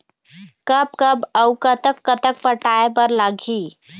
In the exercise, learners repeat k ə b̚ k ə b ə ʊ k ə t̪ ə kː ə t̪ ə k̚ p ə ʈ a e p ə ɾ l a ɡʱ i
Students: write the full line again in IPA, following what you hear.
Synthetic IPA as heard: k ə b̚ k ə b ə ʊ k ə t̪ ə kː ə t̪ ə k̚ p ə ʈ a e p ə ɾ l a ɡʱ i